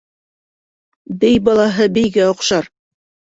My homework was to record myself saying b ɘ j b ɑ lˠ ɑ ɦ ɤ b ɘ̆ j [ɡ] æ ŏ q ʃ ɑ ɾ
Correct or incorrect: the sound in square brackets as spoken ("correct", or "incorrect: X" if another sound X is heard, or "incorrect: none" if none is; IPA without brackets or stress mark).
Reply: correct